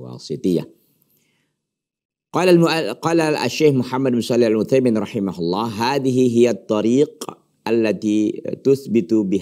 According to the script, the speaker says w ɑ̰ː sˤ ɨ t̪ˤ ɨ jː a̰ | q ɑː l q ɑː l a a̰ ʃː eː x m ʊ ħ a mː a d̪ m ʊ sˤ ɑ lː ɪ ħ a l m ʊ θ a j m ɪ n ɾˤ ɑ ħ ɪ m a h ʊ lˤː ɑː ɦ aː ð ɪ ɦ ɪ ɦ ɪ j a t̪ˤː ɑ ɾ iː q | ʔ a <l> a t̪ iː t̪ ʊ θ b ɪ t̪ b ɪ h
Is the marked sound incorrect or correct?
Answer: incorrect